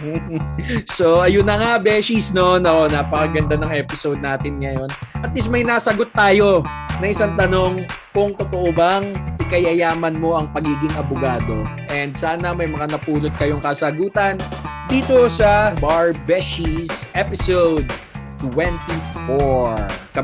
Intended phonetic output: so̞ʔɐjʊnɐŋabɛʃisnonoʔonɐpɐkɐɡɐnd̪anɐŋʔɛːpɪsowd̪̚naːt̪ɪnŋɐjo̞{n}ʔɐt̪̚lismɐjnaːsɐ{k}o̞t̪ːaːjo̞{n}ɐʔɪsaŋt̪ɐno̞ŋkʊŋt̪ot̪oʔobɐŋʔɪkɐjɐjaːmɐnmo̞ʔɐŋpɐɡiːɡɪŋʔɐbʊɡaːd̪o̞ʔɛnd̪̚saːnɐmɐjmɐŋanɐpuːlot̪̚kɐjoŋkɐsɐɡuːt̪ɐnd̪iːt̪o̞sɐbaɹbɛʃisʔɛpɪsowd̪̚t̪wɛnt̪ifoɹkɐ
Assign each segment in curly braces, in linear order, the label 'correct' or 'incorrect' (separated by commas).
correct, incorrect, correct